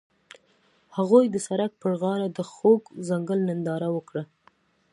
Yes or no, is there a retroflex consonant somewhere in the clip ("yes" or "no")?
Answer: yes